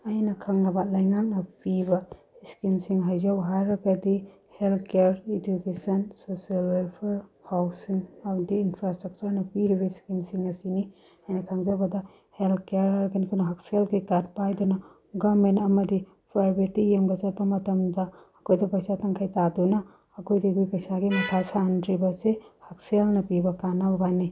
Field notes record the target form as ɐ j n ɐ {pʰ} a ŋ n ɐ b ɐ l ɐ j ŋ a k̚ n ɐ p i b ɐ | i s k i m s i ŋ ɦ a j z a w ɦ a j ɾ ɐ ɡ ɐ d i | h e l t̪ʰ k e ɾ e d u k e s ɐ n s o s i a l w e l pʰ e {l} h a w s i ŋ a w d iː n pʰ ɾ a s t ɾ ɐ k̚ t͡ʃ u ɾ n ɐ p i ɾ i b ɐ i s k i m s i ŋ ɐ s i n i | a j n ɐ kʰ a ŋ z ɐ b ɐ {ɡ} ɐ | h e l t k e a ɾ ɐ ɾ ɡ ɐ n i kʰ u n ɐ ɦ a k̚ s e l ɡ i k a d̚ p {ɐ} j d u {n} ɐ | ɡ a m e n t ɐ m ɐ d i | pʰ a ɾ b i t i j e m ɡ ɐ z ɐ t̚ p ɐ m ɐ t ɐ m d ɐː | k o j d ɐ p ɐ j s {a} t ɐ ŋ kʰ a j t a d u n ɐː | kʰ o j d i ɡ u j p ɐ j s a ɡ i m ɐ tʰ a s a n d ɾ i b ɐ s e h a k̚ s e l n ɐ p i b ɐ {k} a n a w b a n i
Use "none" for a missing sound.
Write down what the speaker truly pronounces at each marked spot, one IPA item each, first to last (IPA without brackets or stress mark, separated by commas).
kʰ, ɾ, d, a, n, a, k